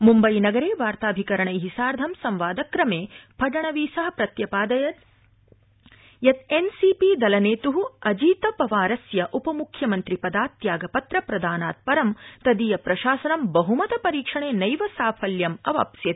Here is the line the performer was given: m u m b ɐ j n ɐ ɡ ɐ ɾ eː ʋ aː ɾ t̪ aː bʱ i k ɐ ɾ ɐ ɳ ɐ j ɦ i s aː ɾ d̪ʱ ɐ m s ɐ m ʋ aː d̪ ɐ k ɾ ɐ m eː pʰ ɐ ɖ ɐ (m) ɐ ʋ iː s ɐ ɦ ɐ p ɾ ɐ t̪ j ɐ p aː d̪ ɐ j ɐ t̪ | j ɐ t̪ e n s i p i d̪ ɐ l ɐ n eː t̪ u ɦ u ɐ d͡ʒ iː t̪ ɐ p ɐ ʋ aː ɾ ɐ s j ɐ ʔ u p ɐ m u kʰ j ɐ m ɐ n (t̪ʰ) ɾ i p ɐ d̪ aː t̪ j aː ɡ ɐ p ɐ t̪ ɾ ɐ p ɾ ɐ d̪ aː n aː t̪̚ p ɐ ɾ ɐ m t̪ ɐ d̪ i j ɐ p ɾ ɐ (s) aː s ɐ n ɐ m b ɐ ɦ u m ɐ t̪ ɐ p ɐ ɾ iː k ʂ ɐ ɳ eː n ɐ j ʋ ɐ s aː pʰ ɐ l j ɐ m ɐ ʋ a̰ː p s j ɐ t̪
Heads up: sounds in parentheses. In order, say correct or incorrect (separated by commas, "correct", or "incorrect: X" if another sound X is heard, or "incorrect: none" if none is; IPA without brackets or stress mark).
incorrect: ɳ, incorrect: t̪, incorrect: ʃ